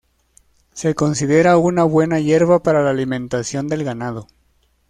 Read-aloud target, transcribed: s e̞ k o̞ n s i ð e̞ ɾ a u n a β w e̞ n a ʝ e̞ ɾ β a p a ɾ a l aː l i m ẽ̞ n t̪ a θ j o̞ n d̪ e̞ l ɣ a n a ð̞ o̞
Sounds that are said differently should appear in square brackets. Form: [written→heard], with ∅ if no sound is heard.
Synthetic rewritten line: s e̞ k o̞ n s i ð e̞ ɾ a u n a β w e̞ n a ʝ e̞ ɾ β a p a ɾ a l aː l i m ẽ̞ n t̪ a [θ→s] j o̞ n d̪ e̞ l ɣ a n a ð̞ o̞